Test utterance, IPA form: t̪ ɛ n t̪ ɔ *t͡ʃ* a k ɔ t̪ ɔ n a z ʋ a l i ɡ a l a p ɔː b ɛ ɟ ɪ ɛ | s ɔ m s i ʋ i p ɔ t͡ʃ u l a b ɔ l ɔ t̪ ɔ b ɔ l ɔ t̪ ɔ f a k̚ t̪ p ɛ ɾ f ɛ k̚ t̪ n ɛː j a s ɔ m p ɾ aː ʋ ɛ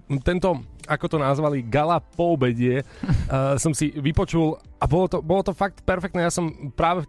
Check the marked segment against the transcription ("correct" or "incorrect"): incorrect